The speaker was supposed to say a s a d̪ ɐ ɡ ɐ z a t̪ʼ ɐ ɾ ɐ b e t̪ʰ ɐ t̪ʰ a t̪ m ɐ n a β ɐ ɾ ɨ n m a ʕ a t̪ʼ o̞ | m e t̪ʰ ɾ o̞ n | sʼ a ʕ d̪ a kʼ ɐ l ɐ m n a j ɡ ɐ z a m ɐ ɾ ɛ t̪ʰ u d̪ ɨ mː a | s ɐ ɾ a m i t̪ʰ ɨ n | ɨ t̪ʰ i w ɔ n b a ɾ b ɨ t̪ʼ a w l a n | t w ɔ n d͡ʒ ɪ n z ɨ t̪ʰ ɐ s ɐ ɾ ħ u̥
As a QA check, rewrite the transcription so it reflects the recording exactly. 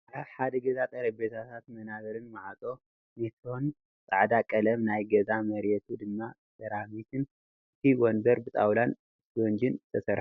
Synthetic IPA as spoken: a ħ a d̪ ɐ ɡ ɐ z a t̪ʼ ɐ ɾ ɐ b e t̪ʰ a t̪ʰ a t̪ m ɐ n a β ɐ ɾ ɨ n m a ʕ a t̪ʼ o̞ | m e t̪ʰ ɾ o̞ n | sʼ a ʕ d̪ a kʼ ɐ l ɐ m n a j ɡ ɐ z a m ɐ ɾ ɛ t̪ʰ u d̪ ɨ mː a | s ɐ ɾ a m i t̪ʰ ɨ n | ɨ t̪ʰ i w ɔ n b ɐ ɾ b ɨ t̪ʼ a w l a n | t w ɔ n d͡ʒ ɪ n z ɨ t̪ʰ ɐ s ɐ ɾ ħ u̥